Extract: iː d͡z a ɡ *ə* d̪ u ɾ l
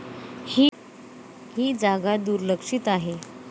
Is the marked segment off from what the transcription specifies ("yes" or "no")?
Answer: yes